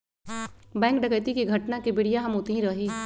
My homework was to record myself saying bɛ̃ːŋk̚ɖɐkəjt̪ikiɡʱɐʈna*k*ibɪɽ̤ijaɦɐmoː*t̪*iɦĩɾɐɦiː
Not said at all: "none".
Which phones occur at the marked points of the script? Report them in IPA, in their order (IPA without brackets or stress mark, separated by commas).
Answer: k, t̪